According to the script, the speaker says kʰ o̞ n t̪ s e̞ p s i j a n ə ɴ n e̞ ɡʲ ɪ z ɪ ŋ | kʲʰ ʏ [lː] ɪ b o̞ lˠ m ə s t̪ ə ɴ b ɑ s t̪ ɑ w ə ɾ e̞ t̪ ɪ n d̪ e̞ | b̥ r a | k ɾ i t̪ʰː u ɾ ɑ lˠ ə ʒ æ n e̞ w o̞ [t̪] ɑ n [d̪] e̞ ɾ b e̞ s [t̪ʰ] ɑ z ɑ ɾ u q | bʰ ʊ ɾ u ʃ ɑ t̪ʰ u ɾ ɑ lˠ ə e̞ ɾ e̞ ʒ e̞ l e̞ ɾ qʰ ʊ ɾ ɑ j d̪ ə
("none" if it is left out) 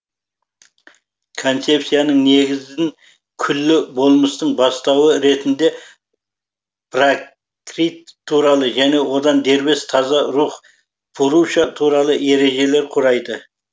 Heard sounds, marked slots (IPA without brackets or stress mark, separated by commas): lː, d̪, d̪, t̪ʰ